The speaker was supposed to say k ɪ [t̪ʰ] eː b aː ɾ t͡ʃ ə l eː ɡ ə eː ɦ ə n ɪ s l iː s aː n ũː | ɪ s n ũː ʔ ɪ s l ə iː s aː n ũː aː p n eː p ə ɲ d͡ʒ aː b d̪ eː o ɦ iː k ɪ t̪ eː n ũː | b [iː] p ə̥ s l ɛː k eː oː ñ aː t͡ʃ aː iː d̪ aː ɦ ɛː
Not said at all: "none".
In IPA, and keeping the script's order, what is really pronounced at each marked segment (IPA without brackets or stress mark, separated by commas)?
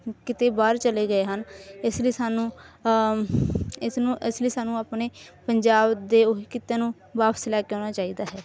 t̪, aː